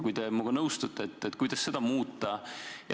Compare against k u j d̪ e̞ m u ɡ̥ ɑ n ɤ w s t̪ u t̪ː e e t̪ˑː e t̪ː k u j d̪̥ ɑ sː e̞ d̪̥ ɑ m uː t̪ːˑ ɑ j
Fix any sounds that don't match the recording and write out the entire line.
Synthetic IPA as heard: k u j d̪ e̞ m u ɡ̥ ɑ n ɤ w s t̪ u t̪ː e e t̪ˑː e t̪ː k u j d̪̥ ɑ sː e̞ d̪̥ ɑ m uː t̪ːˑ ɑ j